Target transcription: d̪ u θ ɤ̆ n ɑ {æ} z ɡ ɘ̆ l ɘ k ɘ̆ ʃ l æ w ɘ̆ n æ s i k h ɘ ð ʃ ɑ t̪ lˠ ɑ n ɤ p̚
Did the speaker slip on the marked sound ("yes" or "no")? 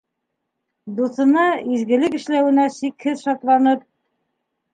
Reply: yes